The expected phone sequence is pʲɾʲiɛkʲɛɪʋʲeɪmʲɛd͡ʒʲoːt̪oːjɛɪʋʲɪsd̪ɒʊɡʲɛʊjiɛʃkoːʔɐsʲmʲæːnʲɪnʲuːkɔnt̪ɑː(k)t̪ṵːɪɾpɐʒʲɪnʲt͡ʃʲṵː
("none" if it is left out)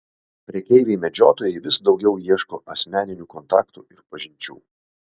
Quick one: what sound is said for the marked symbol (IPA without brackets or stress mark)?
k